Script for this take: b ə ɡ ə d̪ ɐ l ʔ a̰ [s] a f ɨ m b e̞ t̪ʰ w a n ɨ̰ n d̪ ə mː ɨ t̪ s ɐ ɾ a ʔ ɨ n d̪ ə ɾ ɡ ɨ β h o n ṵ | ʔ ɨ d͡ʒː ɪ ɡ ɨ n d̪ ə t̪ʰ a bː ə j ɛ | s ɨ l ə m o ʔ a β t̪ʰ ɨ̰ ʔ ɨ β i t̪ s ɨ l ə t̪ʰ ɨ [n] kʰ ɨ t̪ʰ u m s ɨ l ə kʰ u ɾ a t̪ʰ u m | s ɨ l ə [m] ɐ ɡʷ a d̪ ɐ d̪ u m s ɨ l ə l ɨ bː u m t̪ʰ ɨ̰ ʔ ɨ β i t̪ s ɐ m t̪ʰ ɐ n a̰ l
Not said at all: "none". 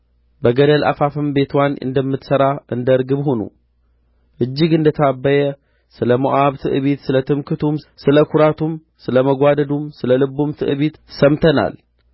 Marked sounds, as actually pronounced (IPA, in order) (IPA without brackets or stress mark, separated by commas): f, m, m